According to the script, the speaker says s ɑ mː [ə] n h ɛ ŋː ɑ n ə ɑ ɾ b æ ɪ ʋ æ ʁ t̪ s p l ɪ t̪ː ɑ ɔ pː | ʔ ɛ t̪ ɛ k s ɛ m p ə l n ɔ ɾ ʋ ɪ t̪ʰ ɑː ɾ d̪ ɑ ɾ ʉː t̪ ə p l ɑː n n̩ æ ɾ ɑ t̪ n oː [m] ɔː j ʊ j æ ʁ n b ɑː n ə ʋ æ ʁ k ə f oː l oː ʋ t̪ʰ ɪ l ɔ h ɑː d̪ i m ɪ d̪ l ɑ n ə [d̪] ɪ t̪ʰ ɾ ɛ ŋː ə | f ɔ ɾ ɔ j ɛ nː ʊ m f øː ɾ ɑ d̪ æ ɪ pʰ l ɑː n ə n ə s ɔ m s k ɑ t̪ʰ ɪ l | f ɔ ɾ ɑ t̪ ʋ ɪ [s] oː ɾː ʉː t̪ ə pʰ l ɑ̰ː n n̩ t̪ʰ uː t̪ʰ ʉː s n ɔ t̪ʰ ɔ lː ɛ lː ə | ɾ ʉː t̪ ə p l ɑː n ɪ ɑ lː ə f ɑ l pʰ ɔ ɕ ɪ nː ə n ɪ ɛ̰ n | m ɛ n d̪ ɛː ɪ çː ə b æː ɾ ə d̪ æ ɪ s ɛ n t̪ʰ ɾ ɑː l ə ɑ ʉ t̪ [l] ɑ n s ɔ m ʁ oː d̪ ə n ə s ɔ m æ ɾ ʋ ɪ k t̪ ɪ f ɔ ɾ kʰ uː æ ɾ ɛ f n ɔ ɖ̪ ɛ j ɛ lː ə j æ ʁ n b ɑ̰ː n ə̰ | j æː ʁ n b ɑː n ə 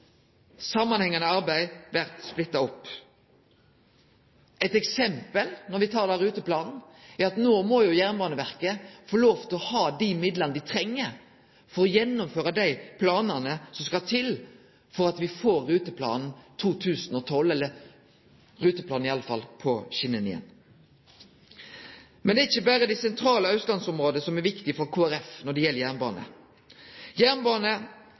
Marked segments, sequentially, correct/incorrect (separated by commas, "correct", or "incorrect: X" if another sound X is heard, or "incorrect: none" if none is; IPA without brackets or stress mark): incorrect: ɑ, correct, correct, incorrect: f, correct